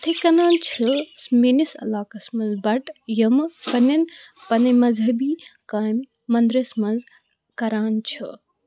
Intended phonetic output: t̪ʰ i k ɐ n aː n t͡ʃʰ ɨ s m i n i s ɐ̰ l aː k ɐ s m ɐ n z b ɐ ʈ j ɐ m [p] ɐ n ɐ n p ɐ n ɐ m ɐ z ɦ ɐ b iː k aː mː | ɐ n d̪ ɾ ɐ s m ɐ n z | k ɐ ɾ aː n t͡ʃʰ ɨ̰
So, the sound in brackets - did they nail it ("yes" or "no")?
yes